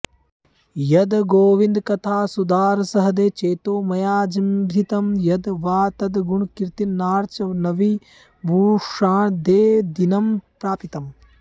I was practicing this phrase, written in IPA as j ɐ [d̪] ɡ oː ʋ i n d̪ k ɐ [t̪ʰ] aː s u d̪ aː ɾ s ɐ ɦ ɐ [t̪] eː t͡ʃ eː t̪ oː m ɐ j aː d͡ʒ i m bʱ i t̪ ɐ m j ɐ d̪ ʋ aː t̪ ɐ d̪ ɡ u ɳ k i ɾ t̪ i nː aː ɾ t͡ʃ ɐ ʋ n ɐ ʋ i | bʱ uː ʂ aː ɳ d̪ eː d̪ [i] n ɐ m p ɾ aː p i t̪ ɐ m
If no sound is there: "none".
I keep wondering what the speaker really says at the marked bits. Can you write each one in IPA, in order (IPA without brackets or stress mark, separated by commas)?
d̪, t̪ʰ, d̪, i